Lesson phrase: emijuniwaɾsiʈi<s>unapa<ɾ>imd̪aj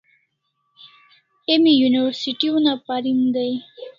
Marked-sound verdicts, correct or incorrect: incorrect, correct

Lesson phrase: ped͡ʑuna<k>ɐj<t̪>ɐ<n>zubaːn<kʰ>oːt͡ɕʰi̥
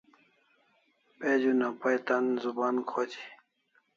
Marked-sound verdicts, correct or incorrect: incorrect, correct, correct, correct

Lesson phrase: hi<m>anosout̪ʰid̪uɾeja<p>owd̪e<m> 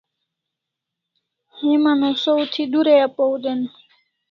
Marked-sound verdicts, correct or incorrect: correct, correct, incorrect

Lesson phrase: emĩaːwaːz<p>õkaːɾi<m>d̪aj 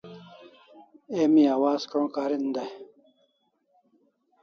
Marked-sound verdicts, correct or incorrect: incorrect, incorrect

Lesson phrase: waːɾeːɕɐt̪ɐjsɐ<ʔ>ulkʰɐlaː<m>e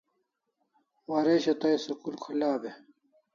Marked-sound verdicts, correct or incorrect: incorrect, incorrect

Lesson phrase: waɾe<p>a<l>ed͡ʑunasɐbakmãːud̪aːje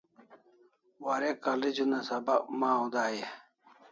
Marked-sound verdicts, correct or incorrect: incorrect, correct

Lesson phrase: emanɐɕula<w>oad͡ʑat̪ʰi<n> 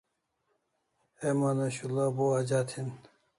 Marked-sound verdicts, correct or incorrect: incorrect, correct

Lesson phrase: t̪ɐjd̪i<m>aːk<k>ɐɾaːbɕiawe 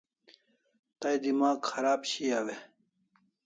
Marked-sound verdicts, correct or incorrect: correct, incorrect

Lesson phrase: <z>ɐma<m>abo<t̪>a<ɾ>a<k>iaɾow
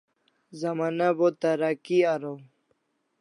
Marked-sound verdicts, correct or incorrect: correct, incorrect, correct, correct, correct

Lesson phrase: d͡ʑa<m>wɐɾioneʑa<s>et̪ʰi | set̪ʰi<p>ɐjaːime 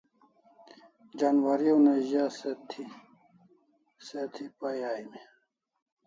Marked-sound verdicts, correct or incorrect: incorrect, correct, correct

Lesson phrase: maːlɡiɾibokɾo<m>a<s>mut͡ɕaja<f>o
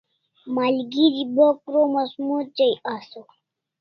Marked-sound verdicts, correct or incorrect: correct, correct, incorrect

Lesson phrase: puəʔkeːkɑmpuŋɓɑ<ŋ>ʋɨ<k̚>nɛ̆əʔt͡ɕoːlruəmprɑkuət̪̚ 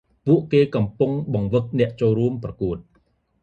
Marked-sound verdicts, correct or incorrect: correct, correct

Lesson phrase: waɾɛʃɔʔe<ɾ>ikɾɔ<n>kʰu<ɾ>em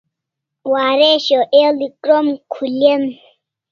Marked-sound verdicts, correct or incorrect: incorrect, incorrect, incorrect

